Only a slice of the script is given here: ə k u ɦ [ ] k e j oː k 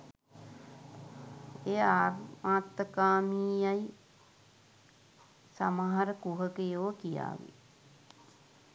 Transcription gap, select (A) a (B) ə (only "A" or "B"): B